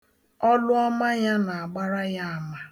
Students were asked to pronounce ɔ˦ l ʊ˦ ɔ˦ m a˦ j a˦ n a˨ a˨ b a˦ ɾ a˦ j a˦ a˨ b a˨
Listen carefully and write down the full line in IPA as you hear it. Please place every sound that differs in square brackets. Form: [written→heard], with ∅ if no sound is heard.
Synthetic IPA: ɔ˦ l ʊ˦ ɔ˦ m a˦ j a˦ n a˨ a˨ [b→ɡ͡b] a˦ ɾ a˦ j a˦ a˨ [b→m] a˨